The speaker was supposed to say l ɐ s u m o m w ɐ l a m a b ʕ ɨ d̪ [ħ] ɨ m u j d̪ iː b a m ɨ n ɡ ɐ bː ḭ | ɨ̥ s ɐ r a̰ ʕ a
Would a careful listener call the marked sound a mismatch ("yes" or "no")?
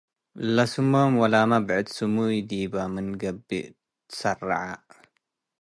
yes